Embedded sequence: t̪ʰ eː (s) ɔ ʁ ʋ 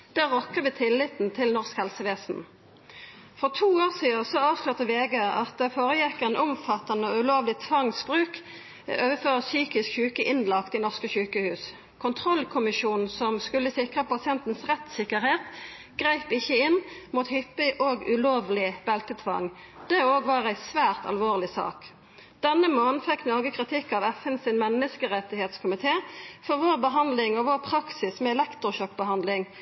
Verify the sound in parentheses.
incorrect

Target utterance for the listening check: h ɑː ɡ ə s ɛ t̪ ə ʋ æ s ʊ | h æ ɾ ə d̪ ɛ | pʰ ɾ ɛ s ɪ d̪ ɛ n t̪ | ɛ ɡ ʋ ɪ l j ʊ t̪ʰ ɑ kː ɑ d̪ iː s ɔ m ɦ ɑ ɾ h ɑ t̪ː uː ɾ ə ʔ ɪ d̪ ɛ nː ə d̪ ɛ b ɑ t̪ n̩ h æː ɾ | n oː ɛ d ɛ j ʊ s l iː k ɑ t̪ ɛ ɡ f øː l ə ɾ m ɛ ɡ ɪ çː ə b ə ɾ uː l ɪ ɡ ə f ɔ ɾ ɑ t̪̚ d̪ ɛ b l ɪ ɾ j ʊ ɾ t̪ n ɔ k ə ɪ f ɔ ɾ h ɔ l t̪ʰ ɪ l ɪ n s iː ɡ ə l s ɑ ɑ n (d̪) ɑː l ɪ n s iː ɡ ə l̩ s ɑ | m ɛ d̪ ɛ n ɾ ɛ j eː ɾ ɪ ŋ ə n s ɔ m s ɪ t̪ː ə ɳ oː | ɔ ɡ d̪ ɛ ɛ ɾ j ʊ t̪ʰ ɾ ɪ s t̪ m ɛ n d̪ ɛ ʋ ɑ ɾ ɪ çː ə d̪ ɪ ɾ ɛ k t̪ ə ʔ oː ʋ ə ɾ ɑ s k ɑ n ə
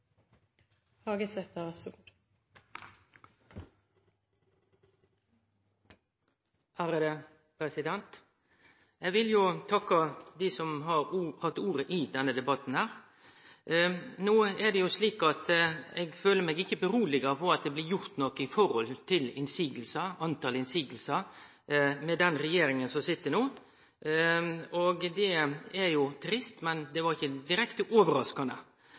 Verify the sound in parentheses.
incorrect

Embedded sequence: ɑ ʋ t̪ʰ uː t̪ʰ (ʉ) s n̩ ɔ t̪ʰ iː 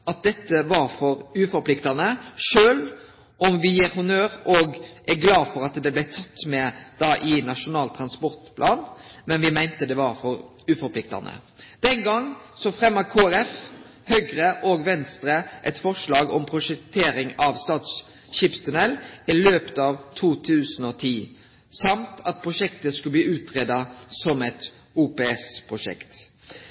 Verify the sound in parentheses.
incorrect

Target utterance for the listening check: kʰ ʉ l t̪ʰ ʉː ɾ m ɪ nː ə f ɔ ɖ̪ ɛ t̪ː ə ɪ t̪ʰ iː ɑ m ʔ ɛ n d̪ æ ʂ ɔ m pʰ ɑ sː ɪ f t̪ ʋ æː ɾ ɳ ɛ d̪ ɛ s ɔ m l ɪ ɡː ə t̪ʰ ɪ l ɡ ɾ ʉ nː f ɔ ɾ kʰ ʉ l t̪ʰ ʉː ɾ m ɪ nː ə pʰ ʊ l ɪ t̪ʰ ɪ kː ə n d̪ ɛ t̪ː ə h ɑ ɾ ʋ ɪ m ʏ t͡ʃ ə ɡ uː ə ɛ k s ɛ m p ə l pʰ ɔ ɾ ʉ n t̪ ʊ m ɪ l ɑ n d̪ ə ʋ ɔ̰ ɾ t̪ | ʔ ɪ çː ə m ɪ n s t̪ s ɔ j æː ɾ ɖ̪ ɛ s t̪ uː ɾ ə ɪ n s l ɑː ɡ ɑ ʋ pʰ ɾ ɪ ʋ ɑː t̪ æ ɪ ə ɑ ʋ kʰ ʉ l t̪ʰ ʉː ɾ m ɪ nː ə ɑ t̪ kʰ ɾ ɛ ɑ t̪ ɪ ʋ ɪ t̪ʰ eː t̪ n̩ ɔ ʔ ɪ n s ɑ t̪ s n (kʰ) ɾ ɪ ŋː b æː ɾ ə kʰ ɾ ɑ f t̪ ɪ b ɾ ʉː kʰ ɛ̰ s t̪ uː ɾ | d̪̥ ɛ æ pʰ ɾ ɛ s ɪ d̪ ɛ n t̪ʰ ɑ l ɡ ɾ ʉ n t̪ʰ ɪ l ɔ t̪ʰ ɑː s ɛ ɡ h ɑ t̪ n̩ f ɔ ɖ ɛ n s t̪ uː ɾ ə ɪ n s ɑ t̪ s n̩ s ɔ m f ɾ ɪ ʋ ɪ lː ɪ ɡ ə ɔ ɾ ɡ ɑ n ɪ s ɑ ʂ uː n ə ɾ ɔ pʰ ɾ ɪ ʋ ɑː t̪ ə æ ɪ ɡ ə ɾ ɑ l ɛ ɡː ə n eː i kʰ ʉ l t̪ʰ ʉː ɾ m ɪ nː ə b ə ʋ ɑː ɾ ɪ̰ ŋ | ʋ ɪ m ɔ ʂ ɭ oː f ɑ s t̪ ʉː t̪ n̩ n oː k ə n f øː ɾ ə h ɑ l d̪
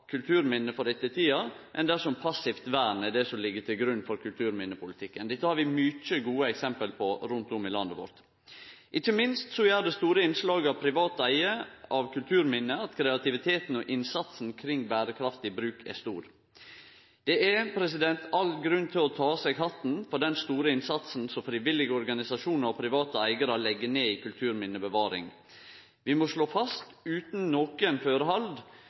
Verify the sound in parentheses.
correct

